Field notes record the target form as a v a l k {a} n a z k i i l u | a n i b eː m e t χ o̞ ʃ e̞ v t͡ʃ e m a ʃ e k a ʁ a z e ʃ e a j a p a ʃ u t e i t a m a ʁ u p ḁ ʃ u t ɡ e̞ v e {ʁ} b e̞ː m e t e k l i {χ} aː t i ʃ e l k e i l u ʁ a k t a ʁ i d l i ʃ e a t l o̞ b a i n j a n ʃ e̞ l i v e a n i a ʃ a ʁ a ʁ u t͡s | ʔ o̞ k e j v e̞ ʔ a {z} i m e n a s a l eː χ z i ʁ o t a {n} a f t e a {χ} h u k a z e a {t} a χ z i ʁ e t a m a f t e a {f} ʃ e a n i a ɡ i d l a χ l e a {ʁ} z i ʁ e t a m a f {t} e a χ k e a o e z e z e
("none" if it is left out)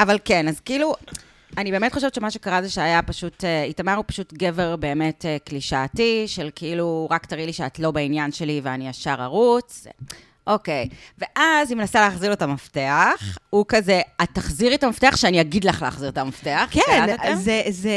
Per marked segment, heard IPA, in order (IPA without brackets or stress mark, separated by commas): e, ʁ, ʃ, z, m, χ, t, χ, χ, t